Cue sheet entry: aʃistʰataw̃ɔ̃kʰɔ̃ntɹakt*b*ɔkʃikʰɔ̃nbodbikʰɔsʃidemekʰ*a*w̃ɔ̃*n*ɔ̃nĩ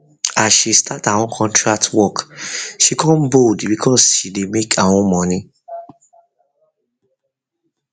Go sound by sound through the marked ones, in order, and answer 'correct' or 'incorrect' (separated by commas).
incorrect, correct, incorrect